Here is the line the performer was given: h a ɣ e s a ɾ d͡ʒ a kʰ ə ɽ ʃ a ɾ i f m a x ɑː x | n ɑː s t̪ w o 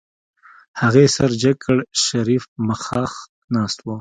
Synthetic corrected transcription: h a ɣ e s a ɾ d͡ʒ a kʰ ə ɽ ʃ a ɾ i f m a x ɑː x | n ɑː s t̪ w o